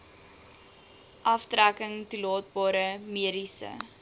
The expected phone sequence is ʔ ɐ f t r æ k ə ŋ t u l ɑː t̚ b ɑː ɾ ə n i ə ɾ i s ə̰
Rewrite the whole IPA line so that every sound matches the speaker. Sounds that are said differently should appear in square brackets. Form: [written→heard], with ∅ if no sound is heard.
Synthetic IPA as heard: ʔ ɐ f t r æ k ə ŋ t u l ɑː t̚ b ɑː ɾ ə [n→m] i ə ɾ i s ə̰

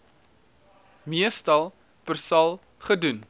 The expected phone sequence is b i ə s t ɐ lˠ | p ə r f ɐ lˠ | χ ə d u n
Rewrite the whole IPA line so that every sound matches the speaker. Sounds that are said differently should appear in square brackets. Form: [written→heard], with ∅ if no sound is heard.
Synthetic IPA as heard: [b→m] i ə s t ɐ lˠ | p ə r [f→s] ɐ lˠ | χ ə d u n

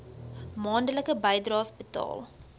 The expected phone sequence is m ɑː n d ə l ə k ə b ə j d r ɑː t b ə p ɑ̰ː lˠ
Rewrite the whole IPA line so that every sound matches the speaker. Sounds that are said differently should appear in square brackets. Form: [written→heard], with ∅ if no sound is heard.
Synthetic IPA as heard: m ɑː n d ə l ə k ə b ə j d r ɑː [t→s] b ə [p→t] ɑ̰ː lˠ

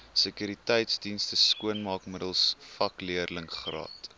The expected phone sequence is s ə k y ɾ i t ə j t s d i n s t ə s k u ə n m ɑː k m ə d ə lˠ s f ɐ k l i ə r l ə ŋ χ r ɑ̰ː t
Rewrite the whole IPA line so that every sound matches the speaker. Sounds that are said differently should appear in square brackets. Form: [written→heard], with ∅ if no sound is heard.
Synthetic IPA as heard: s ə k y ɾ i t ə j t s d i n s t ə s k u ə n m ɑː k m ə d ə lˠ s f ɐ k l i ə r l ə ŋ χ r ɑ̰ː t

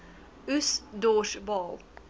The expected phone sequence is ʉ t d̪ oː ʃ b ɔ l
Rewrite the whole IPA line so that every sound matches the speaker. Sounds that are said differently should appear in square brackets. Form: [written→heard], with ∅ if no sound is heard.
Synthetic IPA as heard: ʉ [t→s] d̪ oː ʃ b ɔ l

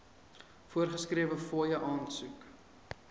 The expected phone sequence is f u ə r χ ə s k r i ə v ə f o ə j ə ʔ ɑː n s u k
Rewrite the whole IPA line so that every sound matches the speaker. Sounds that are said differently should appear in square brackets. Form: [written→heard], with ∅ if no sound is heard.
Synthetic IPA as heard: f u ə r χ ə s k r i ə v ə f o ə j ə ʔ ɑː n s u k

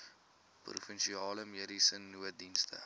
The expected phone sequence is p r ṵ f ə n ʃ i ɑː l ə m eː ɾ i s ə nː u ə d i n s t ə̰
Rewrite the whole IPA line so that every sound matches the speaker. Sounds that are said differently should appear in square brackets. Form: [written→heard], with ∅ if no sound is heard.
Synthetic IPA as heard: p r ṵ f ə n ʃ i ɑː l ə m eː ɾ i s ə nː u ə d i n s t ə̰

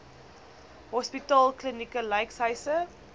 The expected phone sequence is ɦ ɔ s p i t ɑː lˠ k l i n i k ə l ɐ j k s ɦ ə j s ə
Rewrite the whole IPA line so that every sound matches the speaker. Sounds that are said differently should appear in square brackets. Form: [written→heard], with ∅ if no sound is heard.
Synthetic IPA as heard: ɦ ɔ s p i t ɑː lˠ k l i n i k ə l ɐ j k s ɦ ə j s ə

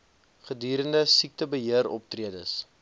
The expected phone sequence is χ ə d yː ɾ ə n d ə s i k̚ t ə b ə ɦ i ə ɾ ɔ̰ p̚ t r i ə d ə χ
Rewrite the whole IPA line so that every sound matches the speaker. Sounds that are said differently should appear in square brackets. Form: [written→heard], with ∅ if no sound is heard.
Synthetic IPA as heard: χ ə d yː ɾ ə n d ə s i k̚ t ə b ə ɦ i ə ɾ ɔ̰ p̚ t r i ə d ə [χ→s]

